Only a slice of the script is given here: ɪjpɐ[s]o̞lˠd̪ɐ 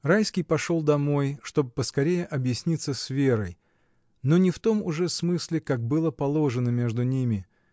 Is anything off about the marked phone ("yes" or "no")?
yes